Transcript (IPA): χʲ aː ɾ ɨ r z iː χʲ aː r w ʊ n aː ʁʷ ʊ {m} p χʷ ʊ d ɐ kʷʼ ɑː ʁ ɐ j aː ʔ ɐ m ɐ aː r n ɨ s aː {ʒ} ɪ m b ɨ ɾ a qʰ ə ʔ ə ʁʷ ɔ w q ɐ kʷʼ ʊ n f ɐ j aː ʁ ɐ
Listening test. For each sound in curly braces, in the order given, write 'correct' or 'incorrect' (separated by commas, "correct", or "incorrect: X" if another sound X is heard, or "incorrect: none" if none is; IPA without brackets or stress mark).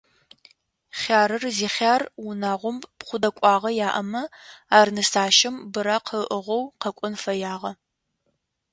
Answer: correct, incorrect: ʃ